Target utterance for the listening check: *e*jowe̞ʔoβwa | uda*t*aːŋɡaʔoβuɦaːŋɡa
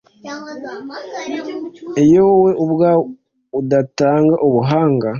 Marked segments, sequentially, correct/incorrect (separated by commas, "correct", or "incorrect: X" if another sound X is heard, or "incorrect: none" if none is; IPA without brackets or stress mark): correct, correct